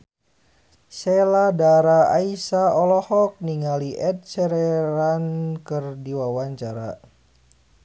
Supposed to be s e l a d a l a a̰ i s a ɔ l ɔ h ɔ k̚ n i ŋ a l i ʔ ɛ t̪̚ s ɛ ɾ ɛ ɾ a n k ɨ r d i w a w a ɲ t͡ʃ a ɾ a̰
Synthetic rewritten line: s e l a d a ɾ a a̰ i s a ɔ l ɔ h ɔ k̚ n i ŋ a l i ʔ ɛ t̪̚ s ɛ ɾ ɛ ɾ a n k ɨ r d i w a w a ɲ t͡ʃ a ɾ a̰